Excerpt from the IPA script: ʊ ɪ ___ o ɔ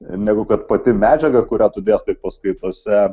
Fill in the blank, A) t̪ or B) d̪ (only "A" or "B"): A